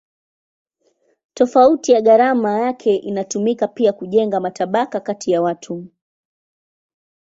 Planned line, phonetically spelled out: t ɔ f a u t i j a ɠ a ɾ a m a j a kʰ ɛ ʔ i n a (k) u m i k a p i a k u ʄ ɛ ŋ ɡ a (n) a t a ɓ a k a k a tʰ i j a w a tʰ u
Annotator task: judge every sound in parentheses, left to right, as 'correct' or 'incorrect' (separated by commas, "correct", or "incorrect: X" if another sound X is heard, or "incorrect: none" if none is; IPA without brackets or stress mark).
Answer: incorrect: t, incorrect: m